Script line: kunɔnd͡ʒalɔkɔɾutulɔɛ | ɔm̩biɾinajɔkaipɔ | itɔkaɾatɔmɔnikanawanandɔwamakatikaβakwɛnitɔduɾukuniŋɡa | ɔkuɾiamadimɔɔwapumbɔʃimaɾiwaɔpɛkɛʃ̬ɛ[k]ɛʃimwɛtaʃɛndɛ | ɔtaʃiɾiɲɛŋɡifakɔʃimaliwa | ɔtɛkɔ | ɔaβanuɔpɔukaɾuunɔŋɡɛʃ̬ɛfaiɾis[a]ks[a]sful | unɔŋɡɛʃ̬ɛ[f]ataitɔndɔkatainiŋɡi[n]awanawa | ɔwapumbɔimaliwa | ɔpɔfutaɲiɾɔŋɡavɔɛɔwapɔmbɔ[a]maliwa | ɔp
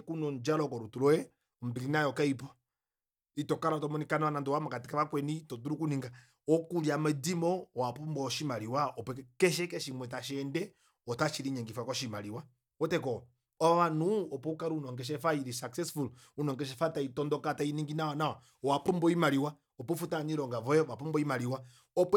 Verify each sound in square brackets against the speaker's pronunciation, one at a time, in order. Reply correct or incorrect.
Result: correct, correct, incorrect, correct, correct, incorrect

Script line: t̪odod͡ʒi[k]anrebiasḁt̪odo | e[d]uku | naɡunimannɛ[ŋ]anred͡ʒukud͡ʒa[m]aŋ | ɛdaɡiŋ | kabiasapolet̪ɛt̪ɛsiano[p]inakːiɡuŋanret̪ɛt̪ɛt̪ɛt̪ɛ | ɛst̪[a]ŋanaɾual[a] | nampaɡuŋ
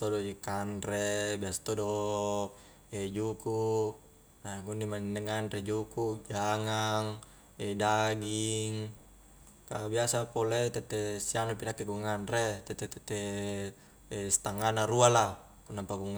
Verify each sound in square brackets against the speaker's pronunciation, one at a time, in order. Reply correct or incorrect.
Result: correct, incorrect, correct, incorrect, correct, correct, correct

